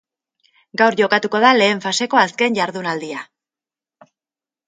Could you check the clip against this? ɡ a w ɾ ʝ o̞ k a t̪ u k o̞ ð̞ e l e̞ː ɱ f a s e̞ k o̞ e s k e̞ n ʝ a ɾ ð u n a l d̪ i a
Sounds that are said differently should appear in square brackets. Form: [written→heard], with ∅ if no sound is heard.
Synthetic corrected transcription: ɡ a w ɾ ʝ o̞ k a t̪ u k o̞ ð̞ [e→a] l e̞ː ɱ f a s e̞ k o̞ [e→a] s k e̞ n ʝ a ɾ ð u n a l d̪ i a